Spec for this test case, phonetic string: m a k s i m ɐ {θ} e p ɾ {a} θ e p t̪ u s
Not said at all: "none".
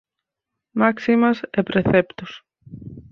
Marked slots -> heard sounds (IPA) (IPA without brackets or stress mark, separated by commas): s, e